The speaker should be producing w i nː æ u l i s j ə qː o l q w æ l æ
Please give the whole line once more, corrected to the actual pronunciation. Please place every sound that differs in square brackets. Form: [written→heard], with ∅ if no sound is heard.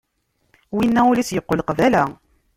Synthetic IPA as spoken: w i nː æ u l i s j ə qː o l q [w→v] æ l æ